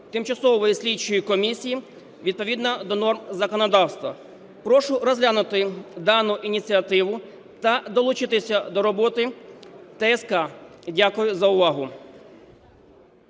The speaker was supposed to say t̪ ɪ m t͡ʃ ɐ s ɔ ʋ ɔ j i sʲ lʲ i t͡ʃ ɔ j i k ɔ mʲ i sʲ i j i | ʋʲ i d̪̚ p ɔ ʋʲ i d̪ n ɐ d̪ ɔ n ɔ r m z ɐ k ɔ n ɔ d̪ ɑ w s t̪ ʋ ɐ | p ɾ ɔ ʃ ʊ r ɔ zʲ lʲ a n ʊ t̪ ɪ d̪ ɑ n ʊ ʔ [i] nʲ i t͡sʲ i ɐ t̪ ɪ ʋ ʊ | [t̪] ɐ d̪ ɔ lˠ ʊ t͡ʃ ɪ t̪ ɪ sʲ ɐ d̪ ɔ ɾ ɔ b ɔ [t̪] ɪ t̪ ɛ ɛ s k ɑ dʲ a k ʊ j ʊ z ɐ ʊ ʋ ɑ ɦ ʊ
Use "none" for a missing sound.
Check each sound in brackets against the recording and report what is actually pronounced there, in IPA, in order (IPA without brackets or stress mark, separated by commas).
i, t̪, t̪